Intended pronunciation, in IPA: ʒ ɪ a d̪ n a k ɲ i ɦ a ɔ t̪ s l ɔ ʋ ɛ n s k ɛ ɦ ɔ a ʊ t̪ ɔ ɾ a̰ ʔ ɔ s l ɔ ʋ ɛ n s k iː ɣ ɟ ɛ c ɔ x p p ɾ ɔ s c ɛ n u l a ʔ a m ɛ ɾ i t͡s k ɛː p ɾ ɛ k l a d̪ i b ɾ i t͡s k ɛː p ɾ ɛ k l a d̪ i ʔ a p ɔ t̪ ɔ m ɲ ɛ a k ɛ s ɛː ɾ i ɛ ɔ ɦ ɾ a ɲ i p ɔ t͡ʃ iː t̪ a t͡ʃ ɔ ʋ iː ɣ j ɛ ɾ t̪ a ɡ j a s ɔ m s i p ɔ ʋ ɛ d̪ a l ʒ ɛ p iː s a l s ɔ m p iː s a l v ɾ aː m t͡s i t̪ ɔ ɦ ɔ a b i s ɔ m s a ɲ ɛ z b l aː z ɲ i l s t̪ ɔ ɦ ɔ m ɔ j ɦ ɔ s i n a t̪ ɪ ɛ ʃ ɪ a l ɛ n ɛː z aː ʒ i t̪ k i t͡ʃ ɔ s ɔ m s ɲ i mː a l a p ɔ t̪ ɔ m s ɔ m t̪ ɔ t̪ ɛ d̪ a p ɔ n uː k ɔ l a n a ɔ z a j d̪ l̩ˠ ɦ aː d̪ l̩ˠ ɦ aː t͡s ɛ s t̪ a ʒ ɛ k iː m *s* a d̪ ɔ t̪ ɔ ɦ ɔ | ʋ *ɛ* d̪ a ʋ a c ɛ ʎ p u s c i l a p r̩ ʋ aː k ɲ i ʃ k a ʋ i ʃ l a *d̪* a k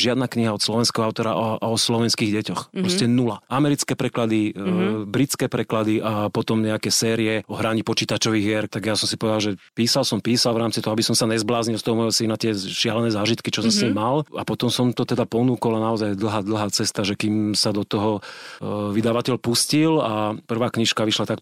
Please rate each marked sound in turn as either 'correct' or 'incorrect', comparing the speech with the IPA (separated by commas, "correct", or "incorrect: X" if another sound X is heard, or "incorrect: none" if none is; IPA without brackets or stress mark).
correct, incorrect: i, incorrect: t̪